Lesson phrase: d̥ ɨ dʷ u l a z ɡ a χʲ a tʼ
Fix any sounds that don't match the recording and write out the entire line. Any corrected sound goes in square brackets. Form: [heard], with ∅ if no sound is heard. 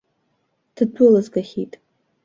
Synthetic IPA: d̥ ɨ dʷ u l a z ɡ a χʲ [i] tʼ

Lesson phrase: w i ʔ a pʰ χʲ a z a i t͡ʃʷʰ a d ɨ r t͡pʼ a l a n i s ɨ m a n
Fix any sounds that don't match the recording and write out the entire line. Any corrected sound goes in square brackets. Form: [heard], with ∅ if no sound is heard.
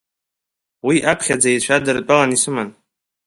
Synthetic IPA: w i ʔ a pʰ χʲ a [d͡z] a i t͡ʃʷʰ a d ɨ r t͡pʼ a l a n i s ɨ m a n

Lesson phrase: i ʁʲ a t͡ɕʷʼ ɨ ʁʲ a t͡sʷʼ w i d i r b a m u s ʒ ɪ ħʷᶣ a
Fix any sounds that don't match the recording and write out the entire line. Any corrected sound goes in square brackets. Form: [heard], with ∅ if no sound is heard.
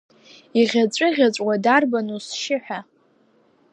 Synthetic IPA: i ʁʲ a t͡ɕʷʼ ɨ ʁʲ a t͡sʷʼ w [a] d [a] r b a [n] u s [ʃ] ɪ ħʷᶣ a

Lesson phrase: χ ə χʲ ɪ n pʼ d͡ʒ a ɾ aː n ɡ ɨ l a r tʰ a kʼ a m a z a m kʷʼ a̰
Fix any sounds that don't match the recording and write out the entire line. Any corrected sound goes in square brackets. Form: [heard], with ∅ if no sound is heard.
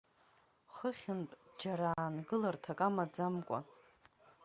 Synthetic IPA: χ ə χʲ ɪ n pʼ d͡ʒ a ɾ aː n ɡ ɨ l a r tʰ a kʼ a m a [d͡z] a m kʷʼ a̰

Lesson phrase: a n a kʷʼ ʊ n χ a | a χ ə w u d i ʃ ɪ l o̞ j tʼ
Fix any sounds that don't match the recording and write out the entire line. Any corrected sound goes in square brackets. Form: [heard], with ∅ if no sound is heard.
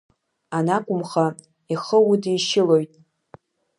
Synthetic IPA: a n a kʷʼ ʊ [m] χ a | [i] χ ə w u d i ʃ ɪ l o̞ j tʼ

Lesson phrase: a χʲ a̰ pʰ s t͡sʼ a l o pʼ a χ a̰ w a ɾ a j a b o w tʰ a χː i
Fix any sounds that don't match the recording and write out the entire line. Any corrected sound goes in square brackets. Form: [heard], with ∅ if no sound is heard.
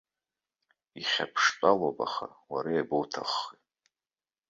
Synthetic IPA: [i] χʲ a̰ pʰ [ʂ] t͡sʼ a l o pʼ a χ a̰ w a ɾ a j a b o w tʰ a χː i

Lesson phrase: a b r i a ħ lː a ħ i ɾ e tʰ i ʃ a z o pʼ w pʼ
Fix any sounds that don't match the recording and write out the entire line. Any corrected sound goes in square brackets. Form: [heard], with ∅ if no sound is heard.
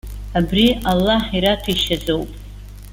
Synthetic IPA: a b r i a [∅] lː a ħ i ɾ [a] tʰ i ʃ a z o [∅] w pʼ

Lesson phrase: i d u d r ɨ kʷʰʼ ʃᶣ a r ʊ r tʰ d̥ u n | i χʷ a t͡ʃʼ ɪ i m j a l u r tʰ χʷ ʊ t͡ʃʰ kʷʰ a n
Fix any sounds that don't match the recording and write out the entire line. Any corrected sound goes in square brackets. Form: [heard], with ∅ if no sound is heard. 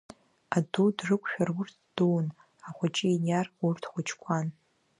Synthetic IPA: [a] d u d r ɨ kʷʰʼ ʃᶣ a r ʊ r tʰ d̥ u n | [a] χʷ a t͡ʃʼ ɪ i [n] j a [r] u r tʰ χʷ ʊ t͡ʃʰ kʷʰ a n

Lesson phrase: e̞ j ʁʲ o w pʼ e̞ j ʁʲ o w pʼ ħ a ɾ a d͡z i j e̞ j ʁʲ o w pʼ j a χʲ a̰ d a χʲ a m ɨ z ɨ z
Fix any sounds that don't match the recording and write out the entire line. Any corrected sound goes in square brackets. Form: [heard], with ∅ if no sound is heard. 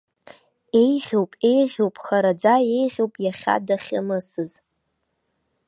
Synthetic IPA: e̞ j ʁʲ o w pʼ e̞ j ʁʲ o w pʼ [χ] a ɾ a d͡z [a] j e̞ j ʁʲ o w pʼ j a χʲ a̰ d a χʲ a m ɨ [s] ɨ z

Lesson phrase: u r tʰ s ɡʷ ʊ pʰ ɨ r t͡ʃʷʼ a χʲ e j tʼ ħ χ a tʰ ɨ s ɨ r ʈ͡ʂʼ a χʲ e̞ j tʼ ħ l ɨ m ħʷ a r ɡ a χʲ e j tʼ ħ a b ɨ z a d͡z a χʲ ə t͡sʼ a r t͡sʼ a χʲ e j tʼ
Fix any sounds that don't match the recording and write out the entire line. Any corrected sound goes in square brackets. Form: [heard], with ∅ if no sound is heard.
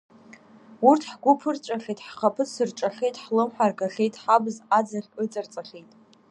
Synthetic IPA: u r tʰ [ħ] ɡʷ ʊ pʰ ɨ r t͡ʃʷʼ a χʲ e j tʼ ħ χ a [pʰ] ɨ s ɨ r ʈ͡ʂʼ a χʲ e̞ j tʼ ħ l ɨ m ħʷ a r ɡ a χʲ e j tʼ ħ a b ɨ z a d͡z a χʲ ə t͡sʼ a r t͡sʼ a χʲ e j tʼ

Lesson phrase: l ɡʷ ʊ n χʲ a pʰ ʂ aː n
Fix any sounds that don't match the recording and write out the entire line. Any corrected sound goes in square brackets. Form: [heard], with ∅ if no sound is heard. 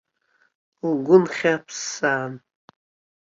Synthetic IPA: l ɡʷ ʊ n χʲ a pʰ [s] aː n

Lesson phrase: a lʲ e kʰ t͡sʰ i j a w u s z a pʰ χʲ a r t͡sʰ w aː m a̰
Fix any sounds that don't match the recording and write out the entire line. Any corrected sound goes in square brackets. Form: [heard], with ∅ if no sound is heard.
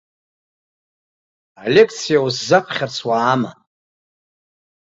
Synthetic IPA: a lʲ e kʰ t͡sʰ i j a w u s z a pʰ χʲ a r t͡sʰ w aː m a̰

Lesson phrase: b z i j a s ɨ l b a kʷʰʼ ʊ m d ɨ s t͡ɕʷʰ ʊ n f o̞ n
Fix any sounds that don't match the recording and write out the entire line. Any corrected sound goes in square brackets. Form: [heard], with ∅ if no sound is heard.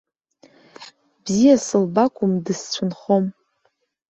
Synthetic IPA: b z i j a s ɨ l b a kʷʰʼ ʊ m d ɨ s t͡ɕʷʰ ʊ n [χ] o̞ [m]

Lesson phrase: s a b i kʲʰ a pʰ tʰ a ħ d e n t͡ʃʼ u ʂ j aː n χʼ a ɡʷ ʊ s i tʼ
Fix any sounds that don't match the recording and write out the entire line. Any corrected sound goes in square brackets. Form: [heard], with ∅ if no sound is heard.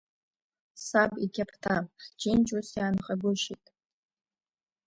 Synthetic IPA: s a b i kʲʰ a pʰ tʰ a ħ [d͡ʒ] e n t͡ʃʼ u [s] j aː n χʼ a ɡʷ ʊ [ʃ] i tʼ

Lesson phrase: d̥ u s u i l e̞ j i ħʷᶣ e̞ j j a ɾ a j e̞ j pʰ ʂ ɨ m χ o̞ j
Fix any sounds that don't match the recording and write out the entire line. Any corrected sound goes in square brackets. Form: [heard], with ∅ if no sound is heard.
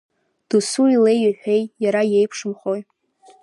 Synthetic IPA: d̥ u s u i l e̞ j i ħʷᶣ e̞ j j a ɾ a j e̞ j pʰ ʂ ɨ m χ o̞ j

